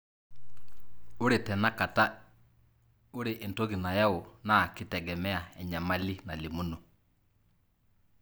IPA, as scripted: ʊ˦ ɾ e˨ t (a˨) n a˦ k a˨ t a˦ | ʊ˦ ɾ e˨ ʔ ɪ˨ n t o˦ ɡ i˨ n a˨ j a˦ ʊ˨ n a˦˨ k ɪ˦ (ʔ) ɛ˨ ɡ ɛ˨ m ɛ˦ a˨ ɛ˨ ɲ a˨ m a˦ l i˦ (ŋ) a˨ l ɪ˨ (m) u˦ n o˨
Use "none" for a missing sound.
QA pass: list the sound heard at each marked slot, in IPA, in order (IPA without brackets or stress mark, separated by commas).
ɛ˨, t, n, m